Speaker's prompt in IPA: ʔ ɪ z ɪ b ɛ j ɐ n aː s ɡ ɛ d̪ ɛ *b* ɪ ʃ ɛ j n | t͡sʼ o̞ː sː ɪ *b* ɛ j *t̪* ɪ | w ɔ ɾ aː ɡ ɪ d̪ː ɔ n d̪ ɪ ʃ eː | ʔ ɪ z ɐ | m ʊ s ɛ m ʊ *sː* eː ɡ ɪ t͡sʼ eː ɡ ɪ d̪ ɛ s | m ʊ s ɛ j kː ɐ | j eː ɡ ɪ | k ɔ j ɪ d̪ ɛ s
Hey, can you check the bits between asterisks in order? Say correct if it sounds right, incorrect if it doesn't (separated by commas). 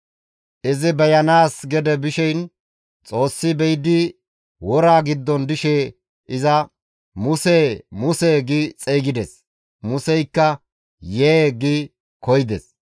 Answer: correct, correct, incorrect, incorrect